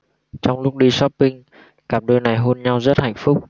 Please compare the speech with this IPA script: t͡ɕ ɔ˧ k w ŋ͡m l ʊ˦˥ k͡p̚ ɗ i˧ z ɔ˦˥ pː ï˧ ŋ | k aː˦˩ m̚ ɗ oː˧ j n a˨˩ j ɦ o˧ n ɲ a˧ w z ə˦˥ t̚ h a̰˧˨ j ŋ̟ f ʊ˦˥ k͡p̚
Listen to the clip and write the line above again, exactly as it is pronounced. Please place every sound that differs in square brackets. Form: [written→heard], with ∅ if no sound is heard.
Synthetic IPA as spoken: t͡ɕ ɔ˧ [k→∅] w ŋ͡m l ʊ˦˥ k͡p̚ ɗ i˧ [z→s] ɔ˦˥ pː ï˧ ŋ | k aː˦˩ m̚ ɗ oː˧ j n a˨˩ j ɦ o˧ n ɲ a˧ w z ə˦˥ t̚ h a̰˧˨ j ŋ̟ f ʊ˦˥ k͡p̚